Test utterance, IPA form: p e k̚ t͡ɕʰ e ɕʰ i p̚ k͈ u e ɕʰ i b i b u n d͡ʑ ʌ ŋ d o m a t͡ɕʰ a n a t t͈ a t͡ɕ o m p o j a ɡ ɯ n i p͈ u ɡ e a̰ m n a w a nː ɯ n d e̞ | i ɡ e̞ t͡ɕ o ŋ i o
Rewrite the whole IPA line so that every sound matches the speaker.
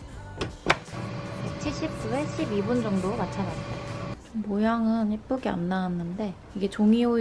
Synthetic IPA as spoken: p e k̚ t͡ɕʰ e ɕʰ i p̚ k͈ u e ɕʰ i b i b u n d͡ʑ ʌ ŋ d o m a t͡ɕʰ a n a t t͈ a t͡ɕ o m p o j a ŋ ɯ n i p͈ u ɡ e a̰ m n a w a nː ɯ n d e̞ | i ɡ e̞ t͡ɕ o ŋ i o